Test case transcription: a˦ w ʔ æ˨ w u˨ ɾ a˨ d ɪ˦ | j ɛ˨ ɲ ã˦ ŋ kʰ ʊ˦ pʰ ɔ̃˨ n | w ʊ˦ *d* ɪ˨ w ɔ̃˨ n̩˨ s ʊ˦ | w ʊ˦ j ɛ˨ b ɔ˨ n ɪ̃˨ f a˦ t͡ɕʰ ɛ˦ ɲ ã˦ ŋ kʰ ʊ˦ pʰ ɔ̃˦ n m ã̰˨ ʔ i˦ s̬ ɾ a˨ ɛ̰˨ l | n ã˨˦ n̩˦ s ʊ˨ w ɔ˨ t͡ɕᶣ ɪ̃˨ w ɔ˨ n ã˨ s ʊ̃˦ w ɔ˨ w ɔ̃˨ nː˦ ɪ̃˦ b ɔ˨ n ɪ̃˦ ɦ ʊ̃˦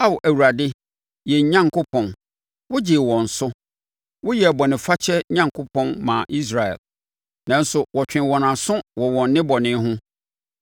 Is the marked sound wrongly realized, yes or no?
yes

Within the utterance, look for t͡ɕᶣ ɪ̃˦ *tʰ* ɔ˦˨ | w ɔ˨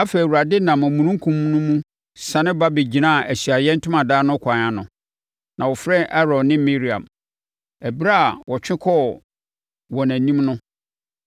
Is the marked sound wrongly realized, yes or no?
yes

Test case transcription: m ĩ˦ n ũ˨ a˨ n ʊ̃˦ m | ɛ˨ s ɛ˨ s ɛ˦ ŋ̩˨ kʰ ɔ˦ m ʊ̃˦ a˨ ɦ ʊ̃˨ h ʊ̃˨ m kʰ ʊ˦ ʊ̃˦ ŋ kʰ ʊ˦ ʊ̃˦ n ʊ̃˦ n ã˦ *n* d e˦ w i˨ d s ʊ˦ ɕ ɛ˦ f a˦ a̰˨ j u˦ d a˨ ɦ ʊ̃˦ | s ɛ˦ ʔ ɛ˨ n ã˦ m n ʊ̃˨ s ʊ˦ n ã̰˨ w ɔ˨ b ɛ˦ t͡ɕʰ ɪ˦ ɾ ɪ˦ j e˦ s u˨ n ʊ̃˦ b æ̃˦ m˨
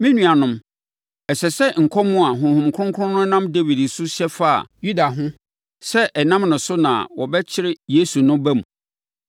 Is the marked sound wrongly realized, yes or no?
yes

